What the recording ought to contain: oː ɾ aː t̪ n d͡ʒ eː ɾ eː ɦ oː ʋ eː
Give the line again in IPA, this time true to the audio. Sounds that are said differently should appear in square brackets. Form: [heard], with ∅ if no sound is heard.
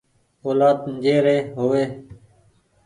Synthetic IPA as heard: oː [l] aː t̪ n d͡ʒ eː ɾ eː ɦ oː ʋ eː

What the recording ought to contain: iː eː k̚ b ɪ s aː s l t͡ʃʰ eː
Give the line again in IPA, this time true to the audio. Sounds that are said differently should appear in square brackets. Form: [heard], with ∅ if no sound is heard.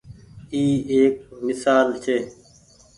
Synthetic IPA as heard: iː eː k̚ [m] ɪ s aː [∅] l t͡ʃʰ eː

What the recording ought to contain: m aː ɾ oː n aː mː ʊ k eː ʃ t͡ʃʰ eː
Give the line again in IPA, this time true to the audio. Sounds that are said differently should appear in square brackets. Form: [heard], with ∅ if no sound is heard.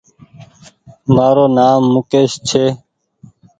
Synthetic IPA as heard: m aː ɾ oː n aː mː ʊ k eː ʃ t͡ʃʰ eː

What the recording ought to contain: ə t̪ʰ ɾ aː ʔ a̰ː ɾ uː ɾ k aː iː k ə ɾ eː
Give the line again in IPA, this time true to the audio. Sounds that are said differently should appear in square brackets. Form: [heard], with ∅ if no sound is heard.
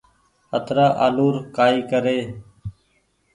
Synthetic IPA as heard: ə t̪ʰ ɾ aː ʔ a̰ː [l] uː ɾ k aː iː k ə ɾ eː

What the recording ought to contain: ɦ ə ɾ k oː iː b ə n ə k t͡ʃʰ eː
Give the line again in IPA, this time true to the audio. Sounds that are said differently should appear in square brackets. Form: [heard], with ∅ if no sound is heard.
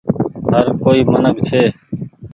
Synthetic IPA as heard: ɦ ə ɾ k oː iː [m] ə n ə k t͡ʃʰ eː

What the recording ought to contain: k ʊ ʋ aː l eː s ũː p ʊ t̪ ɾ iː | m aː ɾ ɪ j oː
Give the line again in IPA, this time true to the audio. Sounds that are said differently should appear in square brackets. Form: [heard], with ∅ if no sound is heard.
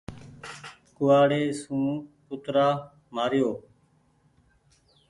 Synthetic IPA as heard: k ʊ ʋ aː [ɽ] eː s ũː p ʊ t̪ ɾ [aː] | m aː ɾ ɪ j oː

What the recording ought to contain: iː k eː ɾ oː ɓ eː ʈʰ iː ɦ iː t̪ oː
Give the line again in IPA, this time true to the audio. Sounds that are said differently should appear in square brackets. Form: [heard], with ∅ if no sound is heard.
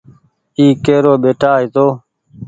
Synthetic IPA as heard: iː k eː ɾ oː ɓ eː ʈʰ [aː] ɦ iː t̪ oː

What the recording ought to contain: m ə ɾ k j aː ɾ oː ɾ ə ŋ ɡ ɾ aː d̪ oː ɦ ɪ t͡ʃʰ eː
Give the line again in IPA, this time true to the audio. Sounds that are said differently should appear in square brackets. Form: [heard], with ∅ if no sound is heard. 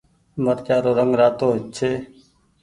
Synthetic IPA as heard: m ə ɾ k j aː ɾ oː ɾ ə ŋ ɡ ɾ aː [t̪] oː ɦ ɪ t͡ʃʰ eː

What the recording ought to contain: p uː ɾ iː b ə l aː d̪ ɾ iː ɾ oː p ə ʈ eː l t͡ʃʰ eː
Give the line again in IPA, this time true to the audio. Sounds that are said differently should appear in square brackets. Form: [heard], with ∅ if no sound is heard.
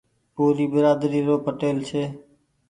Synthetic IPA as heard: p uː ɾ iː b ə [ɾ] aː d̪ ɾ iː ɾ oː p ə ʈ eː l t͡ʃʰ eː

